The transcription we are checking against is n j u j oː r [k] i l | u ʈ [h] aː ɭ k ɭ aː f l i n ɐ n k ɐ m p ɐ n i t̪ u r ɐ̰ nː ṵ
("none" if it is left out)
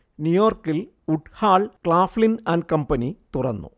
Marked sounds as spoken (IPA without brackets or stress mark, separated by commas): k, h